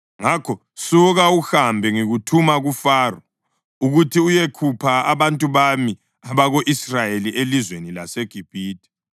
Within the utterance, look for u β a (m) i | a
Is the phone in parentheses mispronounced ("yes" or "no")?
no